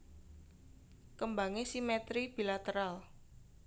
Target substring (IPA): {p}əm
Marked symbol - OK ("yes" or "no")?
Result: no